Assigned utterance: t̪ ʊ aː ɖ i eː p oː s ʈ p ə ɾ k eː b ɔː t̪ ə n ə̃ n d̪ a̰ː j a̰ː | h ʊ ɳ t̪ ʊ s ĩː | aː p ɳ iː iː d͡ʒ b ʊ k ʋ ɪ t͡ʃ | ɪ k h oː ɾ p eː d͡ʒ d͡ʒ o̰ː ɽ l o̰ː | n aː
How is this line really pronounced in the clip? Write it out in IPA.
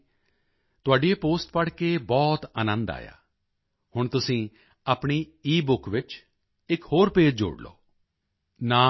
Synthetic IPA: t̪ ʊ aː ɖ i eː p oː s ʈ p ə ɽ k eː b ɔː t̪ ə n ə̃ n d̪ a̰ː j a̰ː | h ʊ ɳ t̪ ʊ s ĩː | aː p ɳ iː iː b ʊ k ʋ ɪ t͡ʃ | ɪ k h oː ɾ p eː d͡ʒ d͡ʒ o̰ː ɽ l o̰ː | n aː